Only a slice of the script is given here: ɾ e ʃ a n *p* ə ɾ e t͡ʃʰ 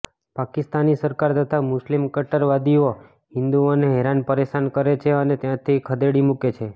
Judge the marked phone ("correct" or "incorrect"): incorrect